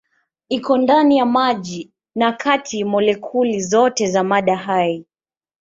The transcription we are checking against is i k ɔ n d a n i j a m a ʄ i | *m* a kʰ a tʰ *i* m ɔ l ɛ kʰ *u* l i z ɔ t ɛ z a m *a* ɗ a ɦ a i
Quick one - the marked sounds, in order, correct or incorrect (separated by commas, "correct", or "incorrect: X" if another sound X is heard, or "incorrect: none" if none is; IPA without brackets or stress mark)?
incorrect: n, correct, correct, correct